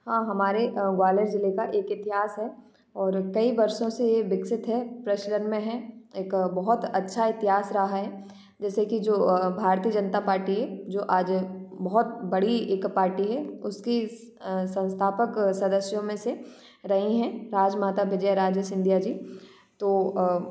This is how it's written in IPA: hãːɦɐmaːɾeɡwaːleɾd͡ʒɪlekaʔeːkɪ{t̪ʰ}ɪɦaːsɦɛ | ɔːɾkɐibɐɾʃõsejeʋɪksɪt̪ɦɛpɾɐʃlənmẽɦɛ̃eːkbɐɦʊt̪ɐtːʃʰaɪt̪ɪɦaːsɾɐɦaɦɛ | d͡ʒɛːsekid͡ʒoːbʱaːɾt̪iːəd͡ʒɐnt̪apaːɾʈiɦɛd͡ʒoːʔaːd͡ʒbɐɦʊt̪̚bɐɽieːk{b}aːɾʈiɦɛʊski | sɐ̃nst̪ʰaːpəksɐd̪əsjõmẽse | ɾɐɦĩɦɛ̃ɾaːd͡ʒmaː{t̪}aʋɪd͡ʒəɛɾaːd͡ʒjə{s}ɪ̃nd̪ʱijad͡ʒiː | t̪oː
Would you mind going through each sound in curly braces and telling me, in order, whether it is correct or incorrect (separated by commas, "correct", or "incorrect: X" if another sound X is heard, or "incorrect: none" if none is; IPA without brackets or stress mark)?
incorrect: t̪, incorrect: p, correct, correct